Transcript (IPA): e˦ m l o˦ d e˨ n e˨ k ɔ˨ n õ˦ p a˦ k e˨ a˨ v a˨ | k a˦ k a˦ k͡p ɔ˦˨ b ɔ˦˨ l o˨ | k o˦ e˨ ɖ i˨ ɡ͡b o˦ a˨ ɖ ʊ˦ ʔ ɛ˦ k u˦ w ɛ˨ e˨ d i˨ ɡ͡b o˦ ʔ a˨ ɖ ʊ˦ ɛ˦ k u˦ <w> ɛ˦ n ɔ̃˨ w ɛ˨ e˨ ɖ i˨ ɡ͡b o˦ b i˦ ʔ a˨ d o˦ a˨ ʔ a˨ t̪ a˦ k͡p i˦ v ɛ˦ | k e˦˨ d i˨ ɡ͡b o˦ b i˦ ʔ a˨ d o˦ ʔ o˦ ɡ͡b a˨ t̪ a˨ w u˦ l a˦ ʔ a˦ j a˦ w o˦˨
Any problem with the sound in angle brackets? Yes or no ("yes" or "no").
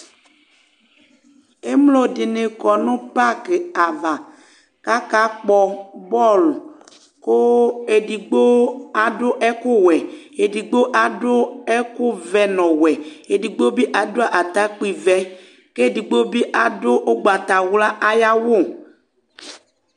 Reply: yes